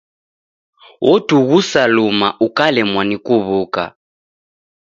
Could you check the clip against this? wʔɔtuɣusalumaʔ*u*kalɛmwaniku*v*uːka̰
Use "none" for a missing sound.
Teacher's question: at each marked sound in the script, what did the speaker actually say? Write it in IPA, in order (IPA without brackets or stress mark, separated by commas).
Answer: u, β